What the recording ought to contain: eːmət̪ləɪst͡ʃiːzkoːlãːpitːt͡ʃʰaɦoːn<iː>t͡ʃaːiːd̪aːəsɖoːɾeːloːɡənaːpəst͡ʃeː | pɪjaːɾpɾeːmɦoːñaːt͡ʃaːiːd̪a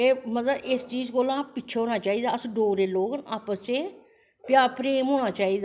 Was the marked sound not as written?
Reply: yes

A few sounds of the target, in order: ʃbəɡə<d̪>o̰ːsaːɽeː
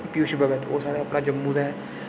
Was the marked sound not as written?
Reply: yes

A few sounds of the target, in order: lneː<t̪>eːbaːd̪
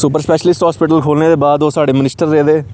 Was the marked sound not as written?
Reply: yes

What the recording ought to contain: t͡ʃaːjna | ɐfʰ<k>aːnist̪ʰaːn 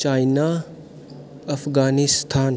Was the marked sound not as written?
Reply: yes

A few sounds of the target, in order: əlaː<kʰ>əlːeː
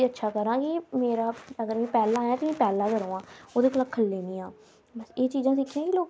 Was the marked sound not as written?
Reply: no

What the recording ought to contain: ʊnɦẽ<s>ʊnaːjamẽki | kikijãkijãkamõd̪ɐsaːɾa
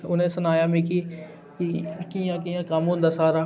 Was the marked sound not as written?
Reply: no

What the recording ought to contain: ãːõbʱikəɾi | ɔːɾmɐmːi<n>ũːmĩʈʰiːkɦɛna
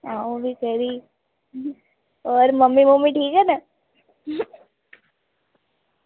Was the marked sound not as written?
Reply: yes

